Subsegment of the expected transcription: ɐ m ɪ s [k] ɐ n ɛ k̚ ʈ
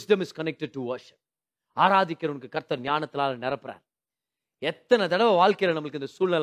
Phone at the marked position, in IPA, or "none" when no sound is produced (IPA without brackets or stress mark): k